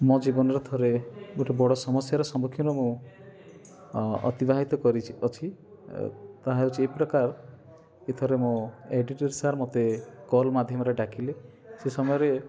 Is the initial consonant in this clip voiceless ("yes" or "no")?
no